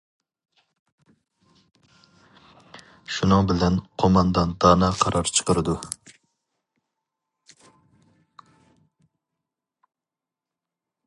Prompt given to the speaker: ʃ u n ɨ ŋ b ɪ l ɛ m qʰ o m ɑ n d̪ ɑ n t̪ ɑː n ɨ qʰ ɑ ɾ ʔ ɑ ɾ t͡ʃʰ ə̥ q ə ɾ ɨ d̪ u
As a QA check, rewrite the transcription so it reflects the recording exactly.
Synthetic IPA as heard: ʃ u n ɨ ŋ b ɪ l ɛ n qʰ o m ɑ n d̪ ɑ n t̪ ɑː n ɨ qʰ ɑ ɾ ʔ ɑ ɾ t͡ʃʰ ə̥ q ə ɾ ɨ d̪ u

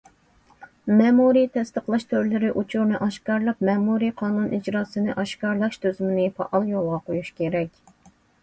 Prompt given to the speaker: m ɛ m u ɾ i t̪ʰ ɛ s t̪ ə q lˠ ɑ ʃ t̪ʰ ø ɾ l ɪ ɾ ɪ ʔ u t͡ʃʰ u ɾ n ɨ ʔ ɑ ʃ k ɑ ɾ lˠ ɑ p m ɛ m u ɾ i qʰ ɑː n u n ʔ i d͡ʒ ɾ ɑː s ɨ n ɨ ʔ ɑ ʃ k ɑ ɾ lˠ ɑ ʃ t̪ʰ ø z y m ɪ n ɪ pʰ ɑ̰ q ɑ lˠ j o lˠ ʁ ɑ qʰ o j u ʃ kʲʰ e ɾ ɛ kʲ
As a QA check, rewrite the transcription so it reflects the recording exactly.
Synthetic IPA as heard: m ɛ m u ɾ i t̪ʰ ɛ s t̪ ə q lˠ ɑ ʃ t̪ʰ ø ɾ l ɪ ɾ ɪ ʔ u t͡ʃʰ u ɾ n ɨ ʔ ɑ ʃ k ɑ ɾ lˠ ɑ p m ɛ m u ɾ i qʰ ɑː n u n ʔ i d͡ʒ ɾ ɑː s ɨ n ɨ ʔ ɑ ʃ k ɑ ɾ lˠ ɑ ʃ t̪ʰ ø z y m ɪ n ɪ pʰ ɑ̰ ʔ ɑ lˠ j o lˠ ʁ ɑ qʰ o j u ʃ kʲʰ e ɾ ɛ kʲ

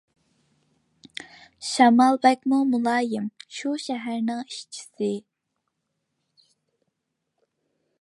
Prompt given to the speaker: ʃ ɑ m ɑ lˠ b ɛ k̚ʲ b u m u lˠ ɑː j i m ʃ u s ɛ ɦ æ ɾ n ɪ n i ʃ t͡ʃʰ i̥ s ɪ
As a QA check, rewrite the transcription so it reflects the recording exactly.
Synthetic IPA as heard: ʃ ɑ m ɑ lˠ b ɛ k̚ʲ m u m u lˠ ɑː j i m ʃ u ʃ ɛ ɦ æ ɾ n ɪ ŋ i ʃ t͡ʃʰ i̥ s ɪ

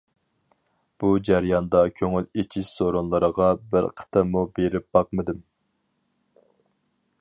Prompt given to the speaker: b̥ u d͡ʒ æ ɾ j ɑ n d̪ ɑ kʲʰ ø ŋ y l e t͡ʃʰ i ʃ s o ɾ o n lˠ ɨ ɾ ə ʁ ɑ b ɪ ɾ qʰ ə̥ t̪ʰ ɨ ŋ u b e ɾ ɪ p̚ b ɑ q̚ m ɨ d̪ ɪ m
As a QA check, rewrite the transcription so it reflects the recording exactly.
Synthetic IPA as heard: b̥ u d͡ʒ æ ɾ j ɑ n d̪ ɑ kʲʰ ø ŋ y l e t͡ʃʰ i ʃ s o ɾ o n lˠ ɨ ɾ ə ʁ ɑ b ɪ ɾ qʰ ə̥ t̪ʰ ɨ m u b e ɾ ɪ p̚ b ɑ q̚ m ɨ d̪ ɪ m

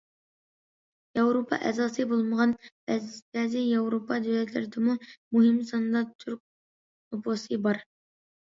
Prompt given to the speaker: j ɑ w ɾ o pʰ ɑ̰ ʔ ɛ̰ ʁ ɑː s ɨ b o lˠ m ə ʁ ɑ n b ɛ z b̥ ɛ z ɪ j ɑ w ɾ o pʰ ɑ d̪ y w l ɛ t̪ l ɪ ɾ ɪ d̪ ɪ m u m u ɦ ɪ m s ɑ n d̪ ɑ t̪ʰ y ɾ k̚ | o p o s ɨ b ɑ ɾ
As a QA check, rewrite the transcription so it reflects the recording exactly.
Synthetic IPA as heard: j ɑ w ɾ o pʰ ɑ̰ ʔ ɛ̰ z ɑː s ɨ b o lˠ m ə ʁ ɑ n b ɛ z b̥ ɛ z ɪ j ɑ w ɾ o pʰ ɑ d̪ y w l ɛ t̪ l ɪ ɾ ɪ d̪ ɪ m u m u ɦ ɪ m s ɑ n d̪ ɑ t̪ʰ y ɾ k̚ | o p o s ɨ b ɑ ɾ

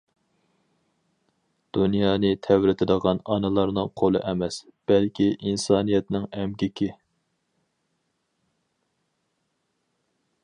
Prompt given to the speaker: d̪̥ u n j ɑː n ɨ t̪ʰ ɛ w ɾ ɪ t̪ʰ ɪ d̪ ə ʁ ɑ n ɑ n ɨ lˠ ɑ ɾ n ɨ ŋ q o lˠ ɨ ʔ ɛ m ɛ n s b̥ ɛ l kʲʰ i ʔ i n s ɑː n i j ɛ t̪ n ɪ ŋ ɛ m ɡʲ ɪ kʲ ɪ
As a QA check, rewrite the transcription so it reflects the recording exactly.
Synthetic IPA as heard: d̪̥ u n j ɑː n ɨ t̪ʰ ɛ w ɾ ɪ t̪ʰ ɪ d̪ ə ʁ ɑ n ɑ n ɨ lˠ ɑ ɾ n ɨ ŋ qʰ o lˠ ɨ ʔ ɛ m ɛ s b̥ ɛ l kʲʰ i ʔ i n s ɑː n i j ɛ t̪ n ɪ ŋ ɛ m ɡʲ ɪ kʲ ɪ

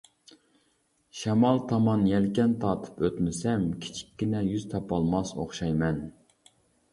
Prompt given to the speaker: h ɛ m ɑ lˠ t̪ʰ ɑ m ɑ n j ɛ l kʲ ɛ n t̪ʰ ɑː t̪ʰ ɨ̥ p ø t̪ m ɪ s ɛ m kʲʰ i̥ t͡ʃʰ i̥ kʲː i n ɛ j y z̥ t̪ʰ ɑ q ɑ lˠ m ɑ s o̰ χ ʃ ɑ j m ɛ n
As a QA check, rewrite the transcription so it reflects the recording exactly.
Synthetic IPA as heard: ʃ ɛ m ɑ lˠ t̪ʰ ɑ m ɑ n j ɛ l kʲ ɛ n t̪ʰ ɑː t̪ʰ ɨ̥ p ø t̪ m ɪ s ɛ m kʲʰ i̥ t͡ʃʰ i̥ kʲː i n ɛ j y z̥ t̪ʰ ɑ p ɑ lˠ m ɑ s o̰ χ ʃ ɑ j m ɛ n

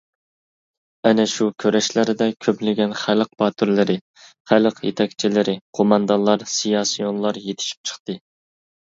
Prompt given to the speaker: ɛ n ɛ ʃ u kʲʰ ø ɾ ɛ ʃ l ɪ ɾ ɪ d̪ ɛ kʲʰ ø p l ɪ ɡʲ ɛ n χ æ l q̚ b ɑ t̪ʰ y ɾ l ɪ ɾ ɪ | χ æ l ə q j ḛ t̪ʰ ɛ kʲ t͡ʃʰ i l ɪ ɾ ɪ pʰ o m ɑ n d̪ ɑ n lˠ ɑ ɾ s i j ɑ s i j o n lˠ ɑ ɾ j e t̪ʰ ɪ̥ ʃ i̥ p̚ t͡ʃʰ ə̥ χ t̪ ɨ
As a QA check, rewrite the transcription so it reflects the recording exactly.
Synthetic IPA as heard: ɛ n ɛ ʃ u kʲʰ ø ɾ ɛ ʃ l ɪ ɾ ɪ d̪ ɛ kʲʰ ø p l ɪ ɡʲ ɛ n χ æ l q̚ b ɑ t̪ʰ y ɾ l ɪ ɾ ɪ | χ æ l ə q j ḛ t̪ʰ ɛ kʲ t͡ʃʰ i l ɪ ɾ ɪ qʰ o m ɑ n d̪ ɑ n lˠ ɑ ɾ s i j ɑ s i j o n lˠ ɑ ɾ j e t̪ʰ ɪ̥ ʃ i̥ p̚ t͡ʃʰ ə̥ χ t̪ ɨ

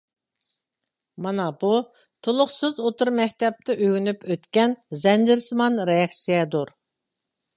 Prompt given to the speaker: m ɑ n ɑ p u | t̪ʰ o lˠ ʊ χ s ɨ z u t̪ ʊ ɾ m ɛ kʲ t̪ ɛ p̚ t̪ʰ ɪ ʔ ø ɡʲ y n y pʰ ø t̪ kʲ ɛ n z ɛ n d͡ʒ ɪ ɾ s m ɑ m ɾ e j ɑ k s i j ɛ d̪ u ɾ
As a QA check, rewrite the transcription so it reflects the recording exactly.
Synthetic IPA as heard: m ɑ n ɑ b u | t̪ʰ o lˠ ʊ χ s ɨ z o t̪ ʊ ɾ m ɛ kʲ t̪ ɛ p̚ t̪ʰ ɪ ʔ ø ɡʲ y n y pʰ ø t̪ kʲ ɛ n z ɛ n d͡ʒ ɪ ɾ s m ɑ n ɾ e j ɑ k s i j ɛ d̪ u ɾ

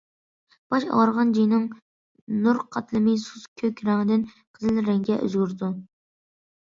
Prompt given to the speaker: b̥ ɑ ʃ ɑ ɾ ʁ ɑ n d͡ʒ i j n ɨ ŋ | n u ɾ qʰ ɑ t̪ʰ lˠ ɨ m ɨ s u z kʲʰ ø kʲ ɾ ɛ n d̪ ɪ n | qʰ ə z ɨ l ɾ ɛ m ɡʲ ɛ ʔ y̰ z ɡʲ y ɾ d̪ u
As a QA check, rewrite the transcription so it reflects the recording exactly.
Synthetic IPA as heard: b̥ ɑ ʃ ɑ ɾ ʁ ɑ n d͡ʒ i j n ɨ ŋ | n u ɾ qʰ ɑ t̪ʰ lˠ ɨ m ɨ s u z kʲʰ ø kʲ ɾ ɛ ŋ d̪ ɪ n | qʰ ə z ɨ l ɾ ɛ ŋ ɡʲ ɛ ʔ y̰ z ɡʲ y ɾ d̪ u

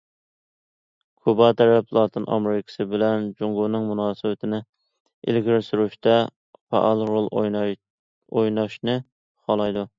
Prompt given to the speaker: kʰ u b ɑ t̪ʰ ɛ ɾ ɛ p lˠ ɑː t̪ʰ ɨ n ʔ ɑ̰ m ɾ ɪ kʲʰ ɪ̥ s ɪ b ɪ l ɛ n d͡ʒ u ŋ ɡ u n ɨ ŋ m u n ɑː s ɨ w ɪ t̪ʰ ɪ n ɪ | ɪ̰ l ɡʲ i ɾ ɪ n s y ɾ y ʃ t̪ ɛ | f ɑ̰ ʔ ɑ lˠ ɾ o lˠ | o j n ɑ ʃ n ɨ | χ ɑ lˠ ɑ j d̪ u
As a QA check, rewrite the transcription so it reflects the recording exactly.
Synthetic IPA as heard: kʰ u b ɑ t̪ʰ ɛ ɾ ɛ p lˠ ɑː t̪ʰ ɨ n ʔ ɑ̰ m ɾ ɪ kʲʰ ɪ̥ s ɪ b ɪ l ɛ n d͡ʒ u ŋ ɡ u n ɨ ŋ m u n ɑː s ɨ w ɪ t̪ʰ ɪ n ɪ | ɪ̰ l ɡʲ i ɾ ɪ s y ɾ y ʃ t̪ ɛ | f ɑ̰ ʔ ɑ lˠ ɾ o lˠ | o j n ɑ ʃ n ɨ | χ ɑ lˠ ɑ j d̪ u

